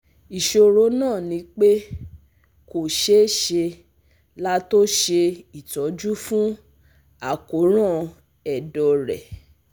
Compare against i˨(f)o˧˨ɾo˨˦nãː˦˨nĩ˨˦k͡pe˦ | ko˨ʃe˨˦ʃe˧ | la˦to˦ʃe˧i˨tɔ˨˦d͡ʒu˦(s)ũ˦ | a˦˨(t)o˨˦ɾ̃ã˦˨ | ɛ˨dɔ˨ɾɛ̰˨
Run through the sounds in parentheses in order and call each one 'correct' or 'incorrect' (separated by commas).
incorrect, incorrect, incorrect